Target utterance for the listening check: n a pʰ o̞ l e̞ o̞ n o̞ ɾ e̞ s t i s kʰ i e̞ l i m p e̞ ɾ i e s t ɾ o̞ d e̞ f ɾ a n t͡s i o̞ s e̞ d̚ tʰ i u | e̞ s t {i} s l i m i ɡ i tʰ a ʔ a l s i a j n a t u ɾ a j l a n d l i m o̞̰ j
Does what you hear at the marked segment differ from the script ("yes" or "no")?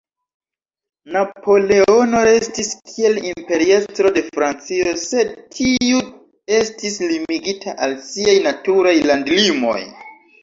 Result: no